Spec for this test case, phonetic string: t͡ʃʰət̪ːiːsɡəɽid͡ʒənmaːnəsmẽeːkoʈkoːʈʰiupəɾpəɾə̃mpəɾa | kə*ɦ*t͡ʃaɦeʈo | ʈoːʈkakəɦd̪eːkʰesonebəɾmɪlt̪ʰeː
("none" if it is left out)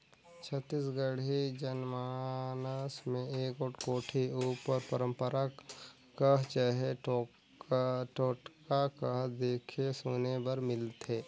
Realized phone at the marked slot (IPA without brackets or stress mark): ɦ